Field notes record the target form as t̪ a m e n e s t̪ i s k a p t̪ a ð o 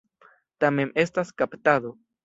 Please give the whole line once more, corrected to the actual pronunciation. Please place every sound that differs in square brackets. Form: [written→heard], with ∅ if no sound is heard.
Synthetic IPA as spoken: t̪ a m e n e s t̪ [i→a] s k a p t̪ a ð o